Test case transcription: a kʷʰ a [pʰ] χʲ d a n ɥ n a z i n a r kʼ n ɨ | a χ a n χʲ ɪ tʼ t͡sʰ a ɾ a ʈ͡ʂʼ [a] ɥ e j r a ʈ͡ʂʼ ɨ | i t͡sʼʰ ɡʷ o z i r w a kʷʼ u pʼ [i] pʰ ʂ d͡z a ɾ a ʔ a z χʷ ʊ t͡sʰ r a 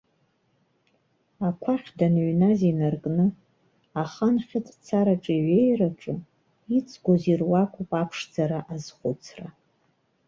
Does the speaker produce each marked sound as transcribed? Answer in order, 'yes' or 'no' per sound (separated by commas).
no, no, no